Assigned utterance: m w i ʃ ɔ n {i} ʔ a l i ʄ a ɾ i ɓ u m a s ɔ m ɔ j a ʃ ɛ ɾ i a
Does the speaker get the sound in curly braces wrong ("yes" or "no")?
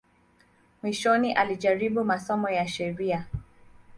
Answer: no